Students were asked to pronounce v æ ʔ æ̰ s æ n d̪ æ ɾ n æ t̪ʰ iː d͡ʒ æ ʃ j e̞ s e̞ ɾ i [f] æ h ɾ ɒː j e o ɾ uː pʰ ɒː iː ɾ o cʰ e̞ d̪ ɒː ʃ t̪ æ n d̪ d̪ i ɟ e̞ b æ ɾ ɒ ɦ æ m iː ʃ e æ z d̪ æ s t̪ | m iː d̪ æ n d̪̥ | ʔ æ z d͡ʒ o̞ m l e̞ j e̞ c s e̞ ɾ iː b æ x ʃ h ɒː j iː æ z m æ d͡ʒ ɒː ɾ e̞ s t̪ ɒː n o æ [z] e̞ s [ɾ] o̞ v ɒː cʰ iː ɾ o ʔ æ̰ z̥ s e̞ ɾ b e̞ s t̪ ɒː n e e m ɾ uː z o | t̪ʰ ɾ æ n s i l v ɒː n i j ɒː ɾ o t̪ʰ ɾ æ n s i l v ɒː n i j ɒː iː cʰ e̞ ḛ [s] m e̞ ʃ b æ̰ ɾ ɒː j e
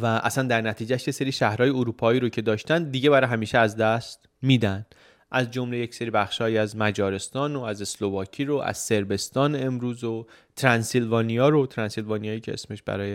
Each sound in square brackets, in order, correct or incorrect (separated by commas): incorrect, correct, incorrect, correct